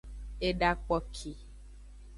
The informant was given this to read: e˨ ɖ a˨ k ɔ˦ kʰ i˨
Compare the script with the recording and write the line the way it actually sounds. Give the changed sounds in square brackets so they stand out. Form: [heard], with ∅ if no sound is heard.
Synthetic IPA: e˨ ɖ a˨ [k͡p] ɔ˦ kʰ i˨